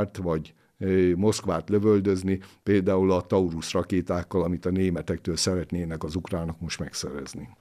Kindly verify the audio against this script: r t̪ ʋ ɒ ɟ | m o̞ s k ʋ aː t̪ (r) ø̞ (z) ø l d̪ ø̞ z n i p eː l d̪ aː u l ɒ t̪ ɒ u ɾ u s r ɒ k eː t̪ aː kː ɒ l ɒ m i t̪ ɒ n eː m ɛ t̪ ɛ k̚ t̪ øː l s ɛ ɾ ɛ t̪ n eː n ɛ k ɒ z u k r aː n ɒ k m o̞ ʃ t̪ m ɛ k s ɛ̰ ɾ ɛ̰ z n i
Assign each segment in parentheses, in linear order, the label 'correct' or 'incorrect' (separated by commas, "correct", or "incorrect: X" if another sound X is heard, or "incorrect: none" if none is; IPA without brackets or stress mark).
incorrect: l, incorrect: v